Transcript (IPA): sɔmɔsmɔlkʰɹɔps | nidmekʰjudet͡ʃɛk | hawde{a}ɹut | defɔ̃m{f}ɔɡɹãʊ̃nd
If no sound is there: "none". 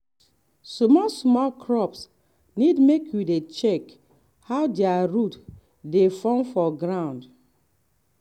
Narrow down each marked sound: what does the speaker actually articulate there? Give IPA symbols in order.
a, f

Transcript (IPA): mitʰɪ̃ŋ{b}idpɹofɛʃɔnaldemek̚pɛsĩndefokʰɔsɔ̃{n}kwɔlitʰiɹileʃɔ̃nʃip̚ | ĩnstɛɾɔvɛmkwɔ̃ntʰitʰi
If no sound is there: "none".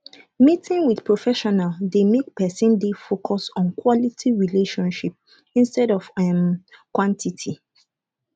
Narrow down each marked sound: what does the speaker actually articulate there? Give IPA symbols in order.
w, n

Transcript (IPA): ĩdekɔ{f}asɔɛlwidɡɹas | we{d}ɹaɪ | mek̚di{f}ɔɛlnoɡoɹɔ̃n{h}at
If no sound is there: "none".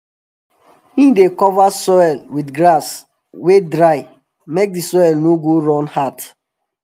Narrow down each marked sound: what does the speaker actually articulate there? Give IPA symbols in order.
v, d, s, h

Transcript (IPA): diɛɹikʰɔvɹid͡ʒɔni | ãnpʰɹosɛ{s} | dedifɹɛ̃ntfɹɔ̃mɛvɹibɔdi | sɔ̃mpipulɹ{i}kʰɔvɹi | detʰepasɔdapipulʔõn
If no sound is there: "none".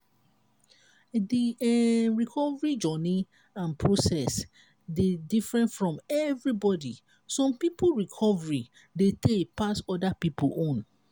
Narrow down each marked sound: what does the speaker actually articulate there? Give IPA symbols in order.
s, i

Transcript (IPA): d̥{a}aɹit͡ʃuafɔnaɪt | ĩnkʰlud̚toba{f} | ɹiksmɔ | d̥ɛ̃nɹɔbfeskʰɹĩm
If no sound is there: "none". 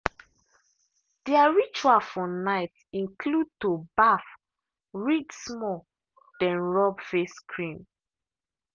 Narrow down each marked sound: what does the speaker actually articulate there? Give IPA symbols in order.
i, f

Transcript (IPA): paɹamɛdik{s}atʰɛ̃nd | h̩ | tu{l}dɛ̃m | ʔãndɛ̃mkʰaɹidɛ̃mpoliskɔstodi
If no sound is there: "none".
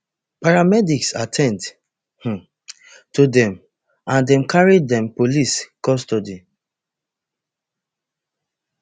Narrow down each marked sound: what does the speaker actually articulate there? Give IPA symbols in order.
s, none

